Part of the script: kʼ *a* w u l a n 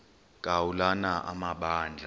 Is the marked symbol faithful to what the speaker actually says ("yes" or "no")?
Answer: yes